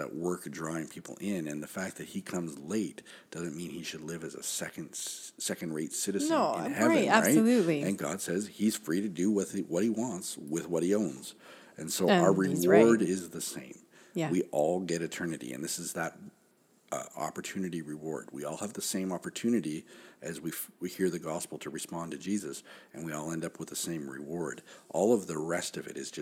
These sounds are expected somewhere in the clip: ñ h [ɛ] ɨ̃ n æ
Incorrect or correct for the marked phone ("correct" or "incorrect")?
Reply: correct